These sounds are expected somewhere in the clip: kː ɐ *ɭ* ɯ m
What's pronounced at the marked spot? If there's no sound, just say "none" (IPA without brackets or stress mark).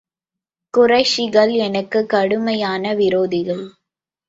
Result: ɽ